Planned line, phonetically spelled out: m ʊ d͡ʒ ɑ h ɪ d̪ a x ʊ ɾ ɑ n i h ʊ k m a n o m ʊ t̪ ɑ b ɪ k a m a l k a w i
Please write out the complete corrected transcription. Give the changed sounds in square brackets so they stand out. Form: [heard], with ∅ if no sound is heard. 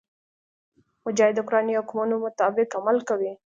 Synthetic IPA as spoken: m ʊ d͡ʒ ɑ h ɪ d̪ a [k] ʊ ɾ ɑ n i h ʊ k m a n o m ʊ t̪ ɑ b ɪ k a m a l k a w i